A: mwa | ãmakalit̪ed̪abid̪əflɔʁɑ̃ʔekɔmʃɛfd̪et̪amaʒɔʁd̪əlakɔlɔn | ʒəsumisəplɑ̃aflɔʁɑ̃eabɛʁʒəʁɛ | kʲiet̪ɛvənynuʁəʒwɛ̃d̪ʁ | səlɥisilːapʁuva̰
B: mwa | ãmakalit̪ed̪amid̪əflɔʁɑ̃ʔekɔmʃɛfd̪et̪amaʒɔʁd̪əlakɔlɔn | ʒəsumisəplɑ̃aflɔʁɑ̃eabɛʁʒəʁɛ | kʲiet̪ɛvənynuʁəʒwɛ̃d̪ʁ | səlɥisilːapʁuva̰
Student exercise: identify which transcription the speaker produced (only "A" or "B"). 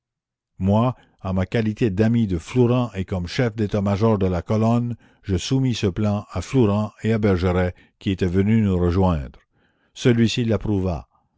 B